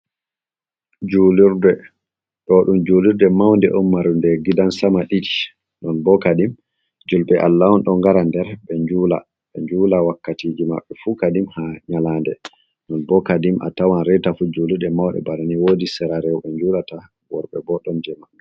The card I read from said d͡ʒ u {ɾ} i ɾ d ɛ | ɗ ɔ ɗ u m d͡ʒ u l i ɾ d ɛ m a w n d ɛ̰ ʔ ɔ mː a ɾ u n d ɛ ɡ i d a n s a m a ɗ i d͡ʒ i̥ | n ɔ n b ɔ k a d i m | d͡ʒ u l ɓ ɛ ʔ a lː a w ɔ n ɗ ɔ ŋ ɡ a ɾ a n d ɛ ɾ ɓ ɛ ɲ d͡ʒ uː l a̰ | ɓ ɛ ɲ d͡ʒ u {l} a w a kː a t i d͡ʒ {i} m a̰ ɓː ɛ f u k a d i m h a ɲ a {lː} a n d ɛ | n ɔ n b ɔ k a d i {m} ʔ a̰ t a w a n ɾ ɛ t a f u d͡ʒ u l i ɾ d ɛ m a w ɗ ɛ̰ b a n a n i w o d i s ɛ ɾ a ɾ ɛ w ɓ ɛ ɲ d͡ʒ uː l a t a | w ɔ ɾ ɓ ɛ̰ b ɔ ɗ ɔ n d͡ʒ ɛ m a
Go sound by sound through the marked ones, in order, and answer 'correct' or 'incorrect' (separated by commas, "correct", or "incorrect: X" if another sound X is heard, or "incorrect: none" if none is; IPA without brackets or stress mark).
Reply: incorrect: l, correct, correct, incorrect: l, correct